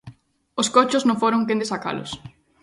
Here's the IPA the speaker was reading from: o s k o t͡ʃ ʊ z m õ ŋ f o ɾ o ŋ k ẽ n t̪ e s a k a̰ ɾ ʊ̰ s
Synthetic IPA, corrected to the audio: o s k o t͡ʃ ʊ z n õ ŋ f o ɾ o ŋ k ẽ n d̪ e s a k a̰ l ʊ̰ s